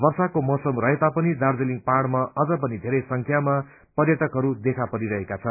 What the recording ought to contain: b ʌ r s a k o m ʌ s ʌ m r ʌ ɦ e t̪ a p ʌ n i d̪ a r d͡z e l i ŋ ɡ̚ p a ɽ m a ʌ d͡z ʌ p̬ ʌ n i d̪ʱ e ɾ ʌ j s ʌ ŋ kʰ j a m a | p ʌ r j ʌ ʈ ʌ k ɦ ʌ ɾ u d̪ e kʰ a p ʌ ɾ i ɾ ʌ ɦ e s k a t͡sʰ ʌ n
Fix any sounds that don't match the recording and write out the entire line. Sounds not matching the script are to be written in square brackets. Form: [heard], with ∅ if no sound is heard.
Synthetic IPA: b ʌ r s a k o m ʌ s ʌ m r ʌ ɦ e t̪ a p ʌ n i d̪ a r d͡z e l i ŋ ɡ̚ p a ɽ m a ʌ d͡z ʌ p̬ ʌ n i d̪ʱ e ɾ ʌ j s ʌ ŋ kʰ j a m a | p ʌ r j ʌ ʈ ʌ k ɦ ʌ ɾ u d̪ e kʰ a p ʌ ɾ i ɾ ʌ ɦ e [∅] k a t͡sʰ ʌ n